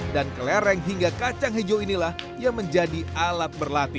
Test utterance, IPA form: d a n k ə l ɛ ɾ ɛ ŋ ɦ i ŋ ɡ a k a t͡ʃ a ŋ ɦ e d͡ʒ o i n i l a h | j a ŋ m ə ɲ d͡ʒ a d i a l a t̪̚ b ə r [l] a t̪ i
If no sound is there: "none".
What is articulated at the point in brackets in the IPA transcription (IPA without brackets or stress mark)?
l